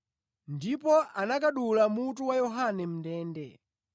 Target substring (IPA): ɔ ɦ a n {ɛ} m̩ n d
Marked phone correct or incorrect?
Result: correct